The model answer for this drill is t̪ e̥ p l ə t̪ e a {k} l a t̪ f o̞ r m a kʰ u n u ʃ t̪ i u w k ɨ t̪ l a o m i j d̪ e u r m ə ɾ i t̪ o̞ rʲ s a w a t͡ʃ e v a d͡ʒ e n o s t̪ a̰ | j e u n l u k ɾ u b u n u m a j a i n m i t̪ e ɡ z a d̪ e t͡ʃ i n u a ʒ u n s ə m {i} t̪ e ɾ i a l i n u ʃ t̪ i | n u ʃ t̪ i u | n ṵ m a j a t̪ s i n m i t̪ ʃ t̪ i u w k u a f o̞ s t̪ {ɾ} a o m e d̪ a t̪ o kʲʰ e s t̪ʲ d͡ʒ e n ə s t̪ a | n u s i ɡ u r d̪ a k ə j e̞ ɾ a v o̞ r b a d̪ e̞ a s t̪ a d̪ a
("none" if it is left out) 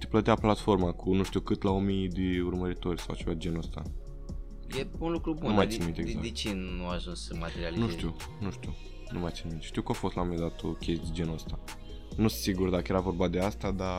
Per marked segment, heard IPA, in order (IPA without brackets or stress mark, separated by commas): p, a, l